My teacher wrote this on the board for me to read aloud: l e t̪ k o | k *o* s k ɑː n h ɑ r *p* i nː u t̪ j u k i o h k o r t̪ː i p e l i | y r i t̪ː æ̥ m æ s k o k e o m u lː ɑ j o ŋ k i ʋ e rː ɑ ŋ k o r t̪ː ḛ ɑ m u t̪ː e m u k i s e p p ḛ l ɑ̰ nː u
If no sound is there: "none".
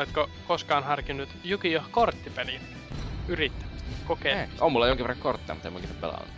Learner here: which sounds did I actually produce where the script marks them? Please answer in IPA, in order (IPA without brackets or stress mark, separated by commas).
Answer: o, k